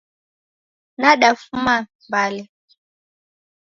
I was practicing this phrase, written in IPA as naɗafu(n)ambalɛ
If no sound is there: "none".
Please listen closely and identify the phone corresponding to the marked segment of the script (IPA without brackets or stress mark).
m